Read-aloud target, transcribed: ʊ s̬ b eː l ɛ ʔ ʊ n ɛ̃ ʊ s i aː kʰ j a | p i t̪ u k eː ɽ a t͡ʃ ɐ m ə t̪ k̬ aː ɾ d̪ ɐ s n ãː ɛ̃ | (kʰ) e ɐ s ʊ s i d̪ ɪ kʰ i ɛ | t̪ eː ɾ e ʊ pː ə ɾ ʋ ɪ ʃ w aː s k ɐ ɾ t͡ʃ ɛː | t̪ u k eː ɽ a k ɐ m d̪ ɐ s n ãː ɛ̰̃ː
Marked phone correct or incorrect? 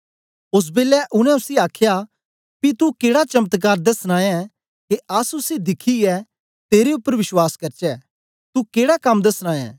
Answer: incorrect